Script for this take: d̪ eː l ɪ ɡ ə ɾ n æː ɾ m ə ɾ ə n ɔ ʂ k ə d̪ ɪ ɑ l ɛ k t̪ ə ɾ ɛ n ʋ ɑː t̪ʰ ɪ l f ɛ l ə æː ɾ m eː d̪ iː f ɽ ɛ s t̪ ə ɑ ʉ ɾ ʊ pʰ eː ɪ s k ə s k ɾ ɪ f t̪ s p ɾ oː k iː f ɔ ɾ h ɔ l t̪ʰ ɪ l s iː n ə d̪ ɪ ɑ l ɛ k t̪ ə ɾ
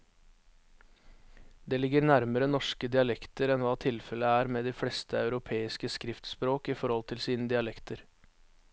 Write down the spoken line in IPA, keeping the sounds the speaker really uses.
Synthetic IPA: d̪ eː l ɪ ɡ ə ɾ n æ ɾ m ə ɾ ə n ɔ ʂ k ə d̪ ɪ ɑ l ɛ k t̪ ə ɾ ɛ n ʋ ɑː t̪ʰ ɪ l f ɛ l ə æː ɾ m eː d̪ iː f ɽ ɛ s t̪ ə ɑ ʉ ɾ ʊ pʰ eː ɪ s k ə s k ɾ ɪ f t̪ s p ɾ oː k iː f ɔ ɾ h ɔ l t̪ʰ ɪ l s iː n ə d̪ ɪ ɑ l ɛ k t̪ ə ɾ